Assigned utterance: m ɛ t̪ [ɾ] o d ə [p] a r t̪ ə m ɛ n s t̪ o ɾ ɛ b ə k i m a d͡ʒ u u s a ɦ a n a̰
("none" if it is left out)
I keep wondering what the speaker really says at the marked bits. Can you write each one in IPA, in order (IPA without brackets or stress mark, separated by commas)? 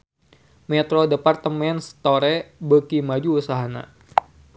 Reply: ɾ, p